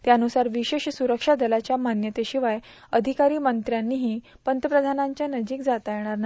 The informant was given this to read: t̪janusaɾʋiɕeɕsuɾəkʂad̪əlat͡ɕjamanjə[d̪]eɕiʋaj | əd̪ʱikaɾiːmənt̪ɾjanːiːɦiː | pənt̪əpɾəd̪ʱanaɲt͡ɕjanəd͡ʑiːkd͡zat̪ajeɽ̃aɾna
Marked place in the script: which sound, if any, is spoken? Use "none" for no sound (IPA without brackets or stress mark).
t̪